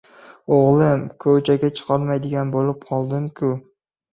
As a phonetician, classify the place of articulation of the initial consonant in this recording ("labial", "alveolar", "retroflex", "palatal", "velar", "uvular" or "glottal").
uvular